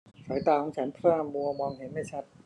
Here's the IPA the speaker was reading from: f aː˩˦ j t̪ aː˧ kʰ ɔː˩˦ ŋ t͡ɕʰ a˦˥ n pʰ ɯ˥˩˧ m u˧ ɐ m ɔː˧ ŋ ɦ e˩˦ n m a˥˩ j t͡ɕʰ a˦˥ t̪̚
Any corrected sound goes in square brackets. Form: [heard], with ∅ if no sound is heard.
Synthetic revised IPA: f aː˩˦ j t̪ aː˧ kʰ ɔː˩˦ ŋ t͡ɕʰ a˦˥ n pʰ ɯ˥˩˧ m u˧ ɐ m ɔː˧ ŋ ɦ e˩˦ n m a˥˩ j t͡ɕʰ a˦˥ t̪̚